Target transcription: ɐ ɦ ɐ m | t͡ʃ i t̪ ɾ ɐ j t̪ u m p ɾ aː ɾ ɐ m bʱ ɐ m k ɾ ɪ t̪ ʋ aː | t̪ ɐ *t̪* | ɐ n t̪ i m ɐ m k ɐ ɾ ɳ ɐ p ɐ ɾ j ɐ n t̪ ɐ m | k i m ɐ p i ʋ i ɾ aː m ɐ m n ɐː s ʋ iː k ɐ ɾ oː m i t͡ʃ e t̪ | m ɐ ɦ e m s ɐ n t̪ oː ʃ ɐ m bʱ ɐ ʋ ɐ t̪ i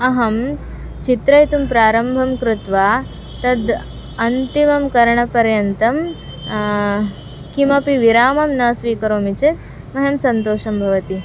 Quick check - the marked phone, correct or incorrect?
incorrect